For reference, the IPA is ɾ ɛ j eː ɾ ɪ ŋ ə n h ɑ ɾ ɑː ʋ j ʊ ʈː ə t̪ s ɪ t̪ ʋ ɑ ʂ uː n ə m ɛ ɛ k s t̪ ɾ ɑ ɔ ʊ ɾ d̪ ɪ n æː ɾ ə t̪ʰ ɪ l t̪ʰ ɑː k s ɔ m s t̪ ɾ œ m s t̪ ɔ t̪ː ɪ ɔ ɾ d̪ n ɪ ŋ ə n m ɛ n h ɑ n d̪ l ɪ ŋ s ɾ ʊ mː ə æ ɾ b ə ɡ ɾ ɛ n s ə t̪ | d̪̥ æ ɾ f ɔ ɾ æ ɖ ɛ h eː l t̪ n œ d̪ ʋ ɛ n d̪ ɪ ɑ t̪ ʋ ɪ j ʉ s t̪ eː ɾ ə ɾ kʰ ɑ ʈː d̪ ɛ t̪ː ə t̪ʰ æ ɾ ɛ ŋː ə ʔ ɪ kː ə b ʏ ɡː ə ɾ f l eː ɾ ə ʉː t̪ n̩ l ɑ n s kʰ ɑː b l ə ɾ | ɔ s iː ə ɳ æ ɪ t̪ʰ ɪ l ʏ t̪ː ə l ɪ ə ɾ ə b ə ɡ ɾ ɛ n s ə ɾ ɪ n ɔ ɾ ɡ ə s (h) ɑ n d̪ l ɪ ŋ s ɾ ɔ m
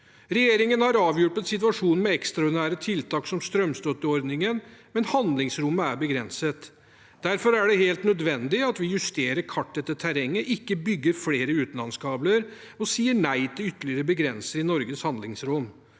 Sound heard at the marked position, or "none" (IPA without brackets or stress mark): h